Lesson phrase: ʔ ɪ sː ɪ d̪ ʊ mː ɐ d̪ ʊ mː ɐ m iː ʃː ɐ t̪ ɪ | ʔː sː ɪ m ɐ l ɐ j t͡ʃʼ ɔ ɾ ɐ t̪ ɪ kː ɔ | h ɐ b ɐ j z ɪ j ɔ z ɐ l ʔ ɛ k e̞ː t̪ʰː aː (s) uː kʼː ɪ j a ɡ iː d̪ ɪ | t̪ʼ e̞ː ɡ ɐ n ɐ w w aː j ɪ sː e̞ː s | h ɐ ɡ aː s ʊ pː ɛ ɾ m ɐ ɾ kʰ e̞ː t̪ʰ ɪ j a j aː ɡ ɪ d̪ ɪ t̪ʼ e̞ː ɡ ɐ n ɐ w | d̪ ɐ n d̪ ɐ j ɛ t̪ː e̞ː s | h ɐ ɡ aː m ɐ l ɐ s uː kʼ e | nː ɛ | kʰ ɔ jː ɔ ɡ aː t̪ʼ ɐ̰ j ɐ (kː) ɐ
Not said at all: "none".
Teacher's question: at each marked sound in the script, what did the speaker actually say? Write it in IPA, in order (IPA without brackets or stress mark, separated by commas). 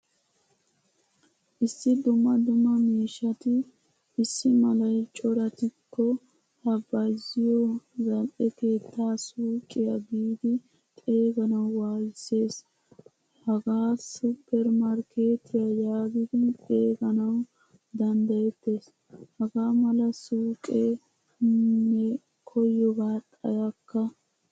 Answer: s, kː